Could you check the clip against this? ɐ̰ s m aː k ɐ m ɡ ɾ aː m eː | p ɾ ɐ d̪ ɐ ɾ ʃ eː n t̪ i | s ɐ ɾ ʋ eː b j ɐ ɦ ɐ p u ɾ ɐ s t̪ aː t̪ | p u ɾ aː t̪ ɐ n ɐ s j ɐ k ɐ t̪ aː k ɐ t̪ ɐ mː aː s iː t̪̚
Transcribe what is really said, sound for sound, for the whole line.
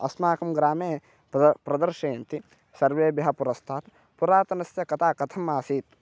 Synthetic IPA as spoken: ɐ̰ s m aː k ɐ m ɡ ɾ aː m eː | p ɾ ɐ d̪ ɐ ɾ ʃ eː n t̪ i | s ɐ ɾ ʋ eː b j ɐ ɦ ɐ p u ɾ ɐ s t̪ʰ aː t̪ | p u ɾ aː t̪ ɐ n ɐ s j ɐ k ɐ t̪ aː k ɐ t̪ʰ ɐ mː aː s iː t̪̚